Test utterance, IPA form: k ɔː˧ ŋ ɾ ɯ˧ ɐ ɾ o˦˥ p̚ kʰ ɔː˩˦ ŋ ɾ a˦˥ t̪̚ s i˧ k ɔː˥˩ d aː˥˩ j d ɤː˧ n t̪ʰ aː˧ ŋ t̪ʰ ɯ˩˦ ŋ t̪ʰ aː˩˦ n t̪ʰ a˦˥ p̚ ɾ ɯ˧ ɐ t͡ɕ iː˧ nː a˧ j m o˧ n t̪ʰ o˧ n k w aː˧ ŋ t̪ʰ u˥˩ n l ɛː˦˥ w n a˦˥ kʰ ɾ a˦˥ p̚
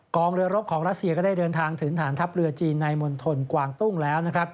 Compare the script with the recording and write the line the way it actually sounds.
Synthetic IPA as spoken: k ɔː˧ ŋ ɾ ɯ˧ ɐ ɾ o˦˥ p̚ kʰ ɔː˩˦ ŋ ɾ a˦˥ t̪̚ s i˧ k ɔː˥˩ d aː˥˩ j d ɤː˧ n t̪ʰ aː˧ ŋ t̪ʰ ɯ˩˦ ŋ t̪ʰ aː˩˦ n t̪ʰ a˦˥ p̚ ɾ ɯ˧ ɐ t͡ɕ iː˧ nː a˧ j m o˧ n t̪ʰ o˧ n k w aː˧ ŋ t̪ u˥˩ ŋ l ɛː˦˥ w n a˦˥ kʰ ɾ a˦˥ p̚